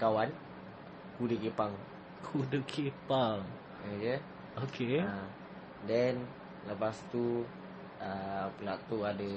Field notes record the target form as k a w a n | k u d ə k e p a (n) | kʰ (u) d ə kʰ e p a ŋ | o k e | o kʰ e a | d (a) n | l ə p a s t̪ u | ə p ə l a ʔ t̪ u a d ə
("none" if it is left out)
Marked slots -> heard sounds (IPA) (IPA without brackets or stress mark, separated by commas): ŋ, u, ɛ